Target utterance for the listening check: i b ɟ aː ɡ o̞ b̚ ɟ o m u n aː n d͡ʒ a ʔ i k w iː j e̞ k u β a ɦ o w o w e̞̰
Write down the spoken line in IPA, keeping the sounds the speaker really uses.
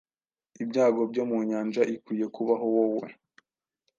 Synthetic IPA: i b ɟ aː ɡ o̞ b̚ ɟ o m u ɲ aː n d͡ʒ a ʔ i k w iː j e̞ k u β a ɦ o w o w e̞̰